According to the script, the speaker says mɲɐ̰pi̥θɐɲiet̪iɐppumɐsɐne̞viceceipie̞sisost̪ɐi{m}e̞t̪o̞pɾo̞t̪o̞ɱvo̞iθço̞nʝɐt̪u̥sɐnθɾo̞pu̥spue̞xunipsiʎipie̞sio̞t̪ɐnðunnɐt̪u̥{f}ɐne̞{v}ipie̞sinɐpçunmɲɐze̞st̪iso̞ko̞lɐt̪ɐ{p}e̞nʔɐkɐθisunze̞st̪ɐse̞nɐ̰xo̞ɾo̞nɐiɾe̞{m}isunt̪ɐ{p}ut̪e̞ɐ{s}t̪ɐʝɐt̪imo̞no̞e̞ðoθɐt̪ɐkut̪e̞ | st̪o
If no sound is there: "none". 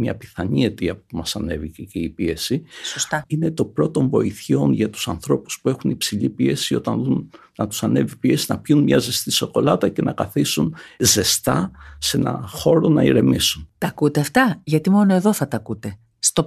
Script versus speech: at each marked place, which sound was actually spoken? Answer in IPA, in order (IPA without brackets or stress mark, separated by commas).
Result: n, s, v, c, m, k, f